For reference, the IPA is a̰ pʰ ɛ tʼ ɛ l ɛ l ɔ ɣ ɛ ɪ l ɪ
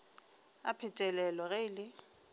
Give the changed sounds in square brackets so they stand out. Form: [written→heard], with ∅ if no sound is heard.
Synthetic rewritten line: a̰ pʰ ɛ tʼ ɛ l ɛ l ɔ ɣ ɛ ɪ l ɪ